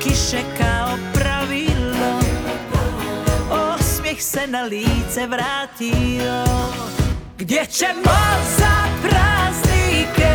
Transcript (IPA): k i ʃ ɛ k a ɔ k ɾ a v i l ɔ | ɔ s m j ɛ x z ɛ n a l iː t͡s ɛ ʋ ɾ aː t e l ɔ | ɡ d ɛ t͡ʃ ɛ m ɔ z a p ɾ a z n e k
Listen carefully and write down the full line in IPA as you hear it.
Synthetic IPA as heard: k i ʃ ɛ k a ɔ p ɾ a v i l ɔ | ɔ s m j ɛ x s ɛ n a l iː t͡s ɛ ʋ ɾ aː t i l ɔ | ɡ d ɛ t͡ʃ ɛ m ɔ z a p ɾ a z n i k